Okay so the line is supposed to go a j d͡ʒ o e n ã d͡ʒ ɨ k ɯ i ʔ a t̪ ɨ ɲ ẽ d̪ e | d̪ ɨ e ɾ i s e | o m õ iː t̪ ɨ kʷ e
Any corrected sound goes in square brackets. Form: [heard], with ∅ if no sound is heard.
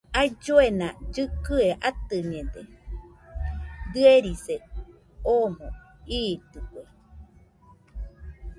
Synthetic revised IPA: a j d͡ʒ o e n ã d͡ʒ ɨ k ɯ [e] ʔ a t̪ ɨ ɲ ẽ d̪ e | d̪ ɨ e ɾ i s e | o m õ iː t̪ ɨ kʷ e

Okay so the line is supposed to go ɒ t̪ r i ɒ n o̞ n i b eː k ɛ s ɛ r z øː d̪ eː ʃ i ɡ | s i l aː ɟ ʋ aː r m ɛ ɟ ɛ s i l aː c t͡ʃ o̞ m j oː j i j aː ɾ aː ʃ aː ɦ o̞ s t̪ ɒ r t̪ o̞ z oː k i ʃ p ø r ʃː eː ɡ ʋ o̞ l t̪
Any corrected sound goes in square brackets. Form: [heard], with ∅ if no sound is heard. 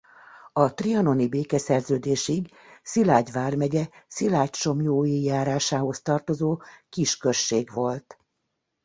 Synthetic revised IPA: ɒ t̪ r i ɒ n o̞ n i b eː k ɛ s ɛ r z øː d̪ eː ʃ i ɡ | s i l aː ɟ ʋ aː r m ɛ ɟ ɛ s i l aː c t͡ʃ o̞ m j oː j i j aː ɾ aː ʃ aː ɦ o̞ s t̪ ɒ r t̪ o̞ z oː k i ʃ [k] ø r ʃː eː ɡ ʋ o̞ l t̪

